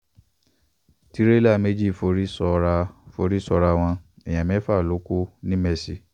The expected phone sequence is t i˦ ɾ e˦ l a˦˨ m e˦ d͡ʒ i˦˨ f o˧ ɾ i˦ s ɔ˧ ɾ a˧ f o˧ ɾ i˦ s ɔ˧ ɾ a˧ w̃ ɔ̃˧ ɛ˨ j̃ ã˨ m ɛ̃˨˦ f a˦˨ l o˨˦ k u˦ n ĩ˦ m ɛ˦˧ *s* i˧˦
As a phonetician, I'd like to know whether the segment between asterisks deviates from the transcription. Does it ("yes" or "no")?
no